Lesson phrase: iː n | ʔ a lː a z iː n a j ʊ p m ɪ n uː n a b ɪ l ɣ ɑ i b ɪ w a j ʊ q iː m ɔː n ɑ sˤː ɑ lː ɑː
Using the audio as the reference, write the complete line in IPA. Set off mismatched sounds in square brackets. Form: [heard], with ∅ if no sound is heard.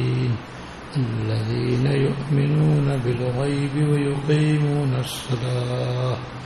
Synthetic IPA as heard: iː n | ʔ a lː a [ð] iː n a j ʊ [ʔ] m ɪ n uː n a b ɪ l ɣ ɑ [j] b ɪ w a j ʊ q iː m [uː] n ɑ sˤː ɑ [l] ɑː